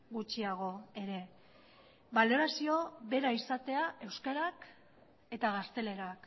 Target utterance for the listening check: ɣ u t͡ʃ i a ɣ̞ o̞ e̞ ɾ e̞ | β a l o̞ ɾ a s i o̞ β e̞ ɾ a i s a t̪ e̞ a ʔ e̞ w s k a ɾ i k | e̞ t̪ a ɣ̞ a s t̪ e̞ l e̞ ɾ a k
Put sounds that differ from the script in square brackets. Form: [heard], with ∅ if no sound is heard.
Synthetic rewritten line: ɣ u t͡ʃ i a ɣ̞ o̞ e̞ ɾ e̞ | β a l o̞ ɾ a s i o̞ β e̞ ɾ a i s a t̪ e̞ a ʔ e̞ w s k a ɾ [a] k | e̞ t̪ a ɣ̞ a s t̪ e̞ l e̞ ɾ a k